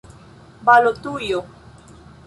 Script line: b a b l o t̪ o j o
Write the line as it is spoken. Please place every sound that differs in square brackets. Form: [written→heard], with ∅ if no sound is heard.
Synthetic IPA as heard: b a [b→∅] l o t̪ [o→u] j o